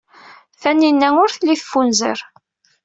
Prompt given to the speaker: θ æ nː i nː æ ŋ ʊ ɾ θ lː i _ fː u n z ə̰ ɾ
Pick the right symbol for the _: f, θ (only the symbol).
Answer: θ